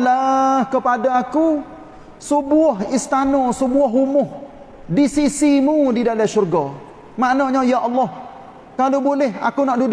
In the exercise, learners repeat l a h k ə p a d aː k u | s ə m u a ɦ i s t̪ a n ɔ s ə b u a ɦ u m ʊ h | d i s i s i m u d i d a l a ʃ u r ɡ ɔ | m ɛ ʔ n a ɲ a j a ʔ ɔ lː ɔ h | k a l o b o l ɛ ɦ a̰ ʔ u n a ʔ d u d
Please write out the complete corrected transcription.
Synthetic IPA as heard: l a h k ə p a d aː k u | s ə b u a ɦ i s t̪ a n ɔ s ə b u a ɦ u m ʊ h | d i s i s i m u d i d a l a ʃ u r ɡ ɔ | m a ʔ n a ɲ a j a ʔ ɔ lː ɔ h | k a l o b o l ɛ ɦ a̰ k u n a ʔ d u d